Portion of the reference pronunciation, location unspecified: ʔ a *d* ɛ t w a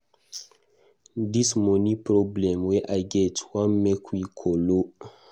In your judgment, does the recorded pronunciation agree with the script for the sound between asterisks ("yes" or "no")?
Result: no